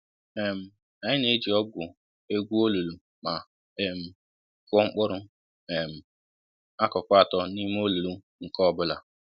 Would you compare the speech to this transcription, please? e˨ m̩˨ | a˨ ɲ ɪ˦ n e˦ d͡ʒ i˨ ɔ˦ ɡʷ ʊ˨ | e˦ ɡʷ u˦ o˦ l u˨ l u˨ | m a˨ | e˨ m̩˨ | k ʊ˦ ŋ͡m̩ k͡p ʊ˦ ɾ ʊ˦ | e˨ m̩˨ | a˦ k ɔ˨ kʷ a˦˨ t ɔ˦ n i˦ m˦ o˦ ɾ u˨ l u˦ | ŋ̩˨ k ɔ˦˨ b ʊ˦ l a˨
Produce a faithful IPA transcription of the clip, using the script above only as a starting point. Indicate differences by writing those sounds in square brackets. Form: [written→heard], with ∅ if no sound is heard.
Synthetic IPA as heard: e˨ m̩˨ | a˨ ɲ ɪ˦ n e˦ d͡ʒ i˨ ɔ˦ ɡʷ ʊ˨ | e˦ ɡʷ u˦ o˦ l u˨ l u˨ | m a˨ | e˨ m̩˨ | k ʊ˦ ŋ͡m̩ k͡p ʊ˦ ɾ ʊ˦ | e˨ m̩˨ | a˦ k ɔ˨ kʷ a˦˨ t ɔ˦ n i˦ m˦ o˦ [ɾ→l] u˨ l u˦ | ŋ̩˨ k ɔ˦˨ b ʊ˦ l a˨